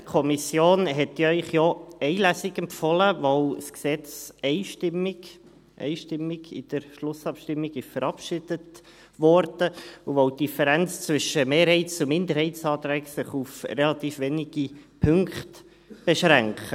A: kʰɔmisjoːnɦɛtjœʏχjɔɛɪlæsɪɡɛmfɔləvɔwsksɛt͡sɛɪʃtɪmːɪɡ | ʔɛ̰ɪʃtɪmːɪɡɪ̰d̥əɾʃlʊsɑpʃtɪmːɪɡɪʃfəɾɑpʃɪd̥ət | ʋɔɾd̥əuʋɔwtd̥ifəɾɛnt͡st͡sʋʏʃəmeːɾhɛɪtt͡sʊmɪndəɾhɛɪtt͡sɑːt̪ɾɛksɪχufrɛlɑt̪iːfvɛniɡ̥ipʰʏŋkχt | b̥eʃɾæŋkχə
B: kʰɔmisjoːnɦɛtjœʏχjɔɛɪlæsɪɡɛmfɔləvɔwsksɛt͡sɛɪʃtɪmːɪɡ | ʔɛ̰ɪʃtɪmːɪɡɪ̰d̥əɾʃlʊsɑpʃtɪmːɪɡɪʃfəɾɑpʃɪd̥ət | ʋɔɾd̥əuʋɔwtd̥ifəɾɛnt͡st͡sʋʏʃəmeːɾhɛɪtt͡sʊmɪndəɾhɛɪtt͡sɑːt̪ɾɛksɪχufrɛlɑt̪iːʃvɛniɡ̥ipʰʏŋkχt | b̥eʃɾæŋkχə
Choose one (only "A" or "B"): A